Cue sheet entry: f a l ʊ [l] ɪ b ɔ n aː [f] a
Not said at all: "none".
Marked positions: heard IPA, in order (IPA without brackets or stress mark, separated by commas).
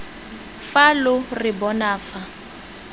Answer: r, f